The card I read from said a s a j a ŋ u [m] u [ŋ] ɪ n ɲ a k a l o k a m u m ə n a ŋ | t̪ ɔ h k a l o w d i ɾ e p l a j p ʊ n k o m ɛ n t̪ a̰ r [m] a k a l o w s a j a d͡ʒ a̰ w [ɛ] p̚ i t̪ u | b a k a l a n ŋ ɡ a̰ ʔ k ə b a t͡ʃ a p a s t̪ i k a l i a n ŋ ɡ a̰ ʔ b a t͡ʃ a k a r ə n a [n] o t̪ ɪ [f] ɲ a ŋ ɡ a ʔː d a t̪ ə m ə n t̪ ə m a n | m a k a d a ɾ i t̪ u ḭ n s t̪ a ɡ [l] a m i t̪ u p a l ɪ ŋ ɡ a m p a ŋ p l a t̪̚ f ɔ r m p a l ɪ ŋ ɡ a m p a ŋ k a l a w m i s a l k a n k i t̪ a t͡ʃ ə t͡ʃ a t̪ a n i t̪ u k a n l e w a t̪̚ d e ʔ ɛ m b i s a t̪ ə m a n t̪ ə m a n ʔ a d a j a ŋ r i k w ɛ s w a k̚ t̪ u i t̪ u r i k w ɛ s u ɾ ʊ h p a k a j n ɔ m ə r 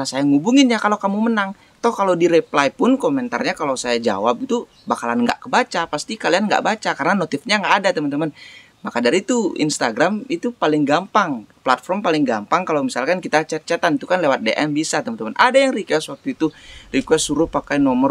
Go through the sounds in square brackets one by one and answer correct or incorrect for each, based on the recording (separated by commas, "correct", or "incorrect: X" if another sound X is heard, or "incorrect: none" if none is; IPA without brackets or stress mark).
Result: incorrect: b, correct, incorrect: ɲ, incorrect: a, correct, correct, incorrect: ɾ